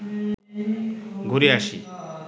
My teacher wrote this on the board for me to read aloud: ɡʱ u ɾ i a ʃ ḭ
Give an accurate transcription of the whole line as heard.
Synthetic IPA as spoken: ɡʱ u ɾ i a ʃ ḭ